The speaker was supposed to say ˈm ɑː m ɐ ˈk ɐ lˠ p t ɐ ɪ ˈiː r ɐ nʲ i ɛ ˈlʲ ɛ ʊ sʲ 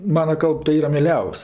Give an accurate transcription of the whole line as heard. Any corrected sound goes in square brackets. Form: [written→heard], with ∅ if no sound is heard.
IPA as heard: ˈm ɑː [m→n] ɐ ˈk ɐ lˠ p t ɐ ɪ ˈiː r ɐ [nʲ→mʲ] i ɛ ˈlʲ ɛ ʊ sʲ

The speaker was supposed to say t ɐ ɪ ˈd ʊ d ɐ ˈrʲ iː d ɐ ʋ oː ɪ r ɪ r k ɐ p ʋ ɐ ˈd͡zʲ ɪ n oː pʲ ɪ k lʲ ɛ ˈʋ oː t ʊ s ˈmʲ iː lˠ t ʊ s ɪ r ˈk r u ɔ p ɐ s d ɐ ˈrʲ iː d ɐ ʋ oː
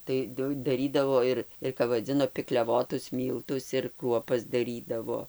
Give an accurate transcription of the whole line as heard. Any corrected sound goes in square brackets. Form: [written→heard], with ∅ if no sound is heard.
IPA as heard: t ɐ ɪ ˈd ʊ d ɐ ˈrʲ iː d ɐ ʋ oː ɪ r ɪ r k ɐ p ʋ ɐ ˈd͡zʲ ɪ n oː pʲ ɪ k lʲ ɛ ˈʋ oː t ʊ s ˈmʲ iː lˠ t ʊ s ɪ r ˈk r u ɔ p ɐ s d ɐ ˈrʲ iː d ɐ ʋ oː

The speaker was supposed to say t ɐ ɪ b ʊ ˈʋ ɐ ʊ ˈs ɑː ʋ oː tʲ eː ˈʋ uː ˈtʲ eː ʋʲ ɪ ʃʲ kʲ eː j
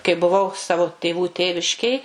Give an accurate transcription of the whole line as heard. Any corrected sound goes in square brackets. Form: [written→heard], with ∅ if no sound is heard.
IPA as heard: [t→k] ɐ ɪ b ʊ ˈʋ ɐ ʊ ˈs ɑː ʋ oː tʲ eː ˈʋ uː ˈtʲ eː ʋʲ ɪ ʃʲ kʲ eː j

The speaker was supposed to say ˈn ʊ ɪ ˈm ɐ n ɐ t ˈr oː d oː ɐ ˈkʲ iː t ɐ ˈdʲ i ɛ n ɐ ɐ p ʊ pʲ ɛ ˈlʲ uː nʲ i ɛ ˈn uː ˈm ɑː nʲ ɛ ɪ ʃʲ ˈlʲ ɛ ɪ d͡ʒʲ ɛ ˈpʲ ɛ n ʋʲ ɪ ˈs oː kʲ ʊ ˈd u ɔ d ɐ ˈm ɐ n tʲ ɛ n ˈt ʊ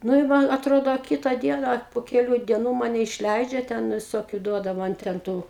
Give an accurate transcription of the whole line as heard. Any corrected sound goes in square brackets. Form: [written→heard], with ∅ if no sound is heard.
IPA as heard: ˈn ʊ ɪ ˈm ɐ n ɐ t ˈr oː d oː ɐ ˈkʲ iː t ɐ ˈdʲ i ɛ n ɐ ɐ p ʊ [pʲ→kʲ] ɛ ˈlʲ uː [nʲ→dʲ] i ɛ ˈn uː ˈm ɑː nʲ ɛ ɪ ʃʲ ˈlʲ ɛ ɪ d͡ʒʲ ɛ [ˈpʲ→ˈtʲ] ɛ n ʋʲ ɪ ˈs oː kʲ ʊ ˈd u ɔ d ɐ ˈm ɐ n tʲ ɛ n ˈt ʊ

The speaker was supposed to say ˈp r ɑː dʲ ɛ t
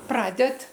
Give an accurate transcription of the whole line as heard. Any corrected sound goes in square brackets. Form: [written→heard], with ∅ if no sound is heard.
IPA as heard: ˈp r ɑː dʲ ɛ t

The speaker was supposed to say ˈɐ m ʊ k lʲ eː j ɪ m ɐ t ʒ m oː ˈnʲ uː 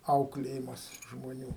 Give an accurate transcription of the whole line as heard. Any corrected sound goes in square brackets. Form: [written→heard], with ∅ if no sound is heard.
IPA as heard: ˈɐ [m→∅] ʊ k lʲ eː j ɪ m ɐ [t→s] ʒ m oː ˈnʲ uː

